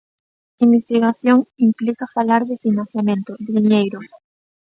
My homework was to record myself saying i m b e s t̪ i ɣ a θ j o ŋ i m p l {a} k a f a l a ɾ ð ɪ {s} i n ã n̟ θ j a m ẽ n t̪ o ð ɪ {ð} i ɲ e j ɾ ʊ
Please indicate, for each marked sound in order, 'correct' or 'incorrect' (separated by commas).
incorrect, incorrect, correct